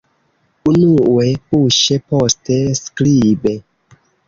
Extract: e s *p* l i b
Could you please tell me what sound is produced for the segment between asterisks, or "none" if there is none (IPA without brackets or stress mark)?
k